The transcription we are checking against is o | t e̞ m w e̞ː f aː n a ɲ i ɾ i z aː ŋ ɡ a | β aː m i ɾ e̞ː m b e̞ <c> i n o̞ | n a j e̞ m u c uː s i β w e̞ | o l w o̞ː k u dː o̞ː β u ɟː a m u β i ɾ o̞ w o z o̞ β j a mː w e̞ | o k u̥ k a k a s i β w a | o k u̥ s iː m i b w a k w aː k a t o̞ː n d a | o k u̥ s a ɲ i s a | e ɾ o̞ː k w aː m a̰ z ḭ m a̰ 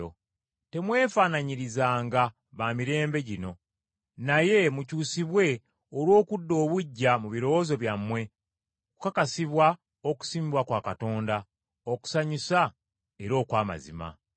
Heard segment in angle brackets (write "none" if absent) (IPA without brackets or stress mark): ɟ